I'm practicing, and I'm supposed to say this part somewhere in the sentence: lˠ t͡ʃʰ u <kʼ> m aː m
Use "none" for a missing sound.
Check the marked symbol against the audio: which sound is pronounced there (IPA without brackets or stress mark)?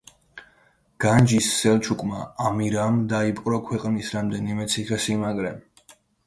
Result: kʼ